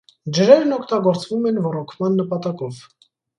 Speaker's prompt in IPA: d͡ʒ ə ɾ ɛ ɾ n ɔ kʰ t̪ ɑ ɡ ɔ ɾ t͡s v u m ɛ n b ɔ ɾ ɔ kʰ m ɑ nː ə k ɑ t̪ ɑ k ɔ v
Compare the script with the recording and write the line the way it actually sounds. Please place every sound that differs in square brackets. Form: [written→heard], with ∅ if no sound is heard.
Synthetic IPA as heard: d͡ʒ ə ɾ ɛ ɾ n ɔ kʰ t̪ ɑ ɡ ɔ ɾ t͡s v u m ɛ n [b→v] ɔ ɾ ɔ kʰ m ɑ nː ə [k→p] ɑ t̪ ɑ k ɔ v

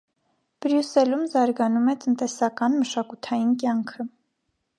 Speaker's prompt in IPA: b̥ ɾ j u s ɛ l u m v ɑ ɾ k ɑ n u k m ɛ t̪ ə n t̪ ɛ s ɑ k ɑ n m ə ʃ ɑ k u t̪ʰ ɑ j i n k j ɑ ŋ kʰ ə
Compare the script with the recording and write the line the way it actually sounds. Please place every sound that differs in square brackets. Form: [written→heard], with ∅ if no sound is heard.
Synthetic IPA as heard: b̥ ɾ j u s ɛ l u m [v→z] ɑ ɾ [k→ɡ] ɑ n u [k→∅] m ɛ t̪ ə n t̪ ɛ s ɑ k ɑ n m ə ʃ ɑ k u t̪ʰ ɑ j i n k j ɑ ŋ kʰ ə

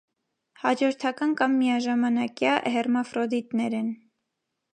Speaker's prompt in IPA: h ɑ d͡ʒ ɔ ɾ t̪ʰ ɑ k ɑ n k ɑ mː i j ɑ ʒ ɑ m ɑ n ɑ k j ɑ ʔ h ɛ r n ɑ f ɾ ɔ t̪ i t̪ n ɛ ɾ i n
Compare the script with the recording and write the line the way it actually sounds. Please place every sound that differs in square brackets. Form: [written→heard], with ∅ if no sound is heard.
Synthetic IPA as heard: h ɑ d͡ʒ ɔ ɾ t̪ʰ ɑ k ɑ n k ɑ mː i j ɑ ʒ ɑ m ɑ n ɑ k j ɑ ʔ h ɛ r [n→m] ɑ f ɾ ɔ [t̪→d̪] i t̪ n ɛ ɾ [i→ɛ] n

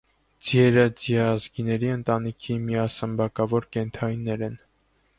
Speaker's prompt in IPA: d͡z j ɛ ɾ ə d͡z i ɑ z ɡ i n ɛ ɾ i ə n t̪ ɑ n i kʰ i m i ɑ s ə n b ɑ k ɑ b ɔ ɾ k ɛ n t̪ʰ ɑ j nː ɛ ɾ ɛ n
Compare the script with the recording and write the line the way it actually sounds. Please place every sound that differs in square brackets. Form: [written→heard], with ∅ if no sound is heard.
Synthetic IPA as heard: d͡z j ɛ ɾ ə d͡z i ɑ z ɡ i n ɛ ɾ i ə n t̪ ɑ n i kʰ i m i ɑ s ə [n→m] b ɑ k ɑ [b→v] ɔ ɾ k ɛ n t̪ʰ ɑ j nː ɛ ɾ ɛ n

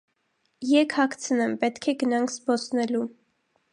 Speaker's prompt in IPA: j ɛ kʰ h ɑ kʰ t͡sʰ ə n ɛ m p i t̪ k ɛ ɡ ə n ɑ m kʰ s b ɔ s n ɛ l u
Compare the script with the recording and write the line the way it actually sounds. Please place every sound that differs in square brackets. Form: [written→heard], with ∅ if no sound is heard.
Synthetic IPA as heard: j ɛ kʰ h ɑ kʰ t͡sʰ ə n ɛ m p [i→ɛ] t̪ [k→kʰ] ɛ ɡ ə n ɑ [m→ŋ] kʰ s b ɔ s n ɛ l u

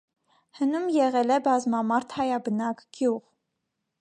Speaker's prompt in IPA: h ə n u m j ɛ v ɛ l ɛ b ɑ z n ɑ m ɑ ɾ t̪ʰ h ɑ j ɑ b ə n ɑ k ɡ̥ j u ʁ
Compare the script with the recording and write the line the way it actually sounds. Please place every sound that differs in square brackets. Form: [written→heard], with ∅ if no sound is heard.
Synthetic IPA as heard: h ə n u m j ɛ [v→ʁ] ɛ l ɛ b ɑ z [n→m] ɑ m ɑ ɾ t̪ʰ h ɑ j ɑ b ə n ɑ k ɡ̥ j u ʁ

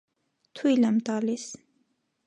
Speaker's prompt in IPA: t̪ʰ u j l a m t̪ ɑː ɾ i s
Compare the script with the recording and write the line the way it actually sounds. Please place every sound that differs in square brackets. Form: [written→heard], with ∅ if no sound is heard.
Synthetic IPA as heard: t̪ʰ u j l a m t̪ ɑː [ɾ→l] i s

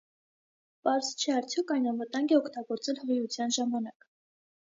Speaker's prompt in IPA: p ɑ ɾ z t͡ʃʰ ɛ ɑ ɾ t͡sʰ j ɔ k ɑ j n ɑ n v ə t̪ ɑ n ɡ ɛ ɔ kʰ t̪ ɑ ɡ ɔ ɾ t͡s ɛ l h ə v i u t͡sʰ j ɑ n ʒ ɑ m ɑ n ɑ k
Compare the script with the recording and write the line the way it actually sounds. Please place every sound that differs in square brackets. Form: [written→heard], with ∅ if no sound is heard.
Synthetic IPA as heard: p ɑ ɾ z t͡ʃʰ ɛ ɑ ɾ t͡sʰ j ɔ k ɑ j n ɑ n v ə t̪ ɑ [n→ŋ] ɡ ɛ ɔ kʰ t̪ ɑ ɡ ɔ ɾ t͡s ɛ l h ə [v→ʁ] i u t͡sʰ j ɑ n ʒ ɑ m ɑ n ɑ k

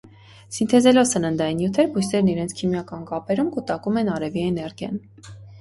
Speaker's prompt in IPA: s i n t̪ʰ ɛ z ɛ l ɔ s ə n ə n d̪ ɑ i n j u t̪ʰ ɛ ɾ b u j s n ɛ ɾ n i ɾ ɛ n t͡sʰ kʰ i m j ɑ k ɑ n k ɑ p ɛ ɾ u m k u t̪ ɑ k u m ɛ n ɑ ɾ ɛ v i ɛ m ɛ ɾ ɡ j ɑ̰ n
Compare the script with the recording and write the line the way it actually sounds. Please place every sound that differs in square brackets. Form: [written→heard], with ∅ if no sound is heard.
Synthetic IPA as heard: s i n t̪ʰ ɛ z ɛ l ɔ s ə n ə n d̪ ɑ i n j u t̪ʰ ɛ ɾ b u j s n ɛ ɾ n i ɾ ɛ n t͡sʰ kʰ i m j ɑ k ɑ n k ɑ p ɛ ɾ u m k u t̪ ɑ k u m ɛ n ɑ ɾ ɛ v i ɛ [m→n] ɛ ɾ ɡ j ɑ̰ n

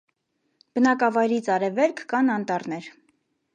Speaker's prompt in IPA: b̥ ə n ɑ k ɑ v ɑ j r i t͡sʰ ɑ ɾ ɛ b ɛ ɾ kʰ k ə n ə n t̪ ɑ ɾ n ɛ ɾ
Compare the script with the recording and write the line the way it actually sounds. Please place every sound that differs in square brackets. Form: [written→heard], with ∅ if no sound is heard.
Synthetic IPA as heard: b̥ ə n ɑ k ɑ v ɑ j [r→ɾ] i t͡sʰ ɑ ɾ ɛ [b→v] ɛ ɾ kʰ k [ə→ɑ] n [ə→ɑ] n t̪ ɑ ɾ n ɛ ɾ

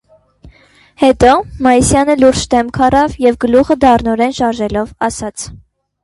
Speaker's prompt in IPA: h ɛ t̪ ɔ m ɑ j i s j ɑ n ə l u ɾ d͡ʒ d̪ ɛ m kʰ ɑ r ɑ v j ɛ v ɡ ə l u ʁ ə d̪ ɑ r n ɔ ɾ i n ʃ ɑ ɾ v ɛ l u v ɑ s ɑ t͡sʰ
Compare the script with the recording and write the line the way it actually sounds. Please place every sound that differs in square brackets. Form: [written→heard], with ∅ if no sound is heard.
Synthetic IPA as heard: h ɛ t̪ ɔ m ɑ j i s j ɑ n ə l u ɾ d͡ʒ d̪ ɛ m kʰ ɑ r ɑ v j ɛ v ɡ ə l u ʁ ə d̪ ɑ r n ɔ ɾ [i→ɛ] n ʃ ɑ ɾ [v→ʒ] ɛ l [u→ɔ] v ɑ s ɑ t͡sʰ

